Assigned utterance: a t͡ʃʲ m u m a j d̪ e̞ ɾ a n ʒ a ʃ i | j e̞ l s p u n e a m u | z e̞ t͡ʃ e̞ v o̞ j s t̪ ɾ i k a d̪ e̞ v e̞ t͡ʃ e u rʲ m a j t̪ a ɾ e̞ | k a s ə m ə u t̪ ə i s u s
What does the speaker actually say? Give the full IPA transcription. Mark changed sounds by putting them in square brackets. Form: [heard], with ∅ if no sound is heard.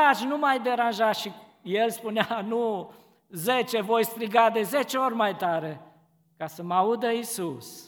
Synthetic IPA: a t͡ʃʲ [n] u m a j d̪ e̞ ɾ a n ʒ a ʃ i | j e̞ l s p u n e a [n] u | z e̞ t͡ʃ e̞ v o̞ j s t̪ ɾ i [ɡ] a d̪ e̞ [z] e̞ t͡ʃ e [o] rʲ m a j t̪ a ɾ e̞ | k a s ə m [a] u [d̪] ə i s u s